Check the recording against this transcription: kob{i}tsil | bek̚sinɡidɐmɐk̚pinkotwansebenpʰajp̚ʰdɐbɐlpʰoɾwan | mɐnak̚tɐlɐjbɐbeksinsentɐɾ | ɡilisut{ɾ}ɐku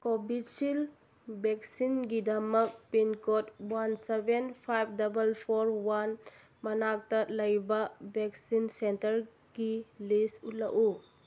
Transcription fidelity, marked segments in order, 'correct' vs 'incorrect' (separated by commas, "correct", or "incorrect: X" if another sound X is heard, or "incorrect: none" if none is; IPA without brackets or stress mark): correct, incorrect: l